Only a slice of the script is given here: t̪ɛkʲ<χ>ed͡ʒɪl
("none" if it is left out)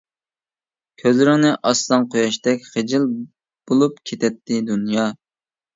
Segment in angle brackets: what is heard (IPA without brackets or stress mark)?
χ